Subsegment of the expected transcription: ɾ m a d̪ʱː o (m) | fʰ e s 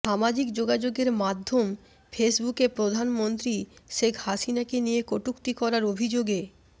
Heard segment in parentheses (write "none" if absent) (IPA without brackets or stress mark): m